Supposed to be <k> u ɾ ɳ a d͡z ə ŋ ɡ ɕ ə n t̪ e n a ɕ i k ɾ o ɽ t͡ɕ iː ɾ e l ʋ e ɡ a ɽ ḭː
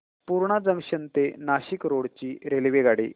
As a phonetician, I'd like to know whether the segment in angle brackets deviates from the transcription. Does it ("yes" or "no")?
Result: yes